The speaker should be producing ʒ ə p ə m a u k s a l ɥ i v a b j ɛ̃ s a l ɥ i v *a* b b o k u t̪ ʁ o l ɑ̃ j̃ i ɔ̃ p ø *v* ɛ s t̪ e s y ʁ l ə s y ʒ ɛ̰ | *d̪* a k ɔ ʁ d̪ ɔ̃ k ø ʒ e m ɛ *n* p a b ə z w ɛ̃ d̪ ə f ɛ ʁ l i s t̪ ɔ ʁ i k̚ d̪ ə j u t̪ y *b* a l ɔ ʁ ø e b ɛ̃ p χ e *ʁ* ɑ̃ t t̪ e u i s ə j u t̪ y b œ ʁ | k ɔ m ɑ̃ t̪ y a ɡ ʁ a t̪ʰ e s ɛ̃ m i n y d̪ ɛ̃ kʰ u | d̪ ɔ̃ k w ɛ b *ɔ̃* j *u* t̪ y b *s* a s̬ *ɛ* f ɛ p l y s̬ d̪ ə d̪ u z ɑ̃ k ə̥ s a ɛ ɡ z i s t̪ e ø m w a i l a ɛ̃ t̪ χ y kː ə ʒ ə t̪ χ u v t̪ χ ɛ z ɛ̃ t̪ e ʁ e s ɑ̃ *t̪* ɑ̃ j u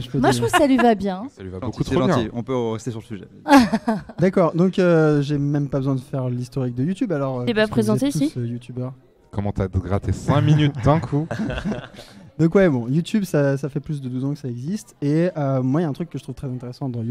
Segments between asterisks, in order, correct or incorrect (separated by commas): correct, incorrect, correct, incorrect, correct, incorrect, correct, correct, correct, incorrect, incorrect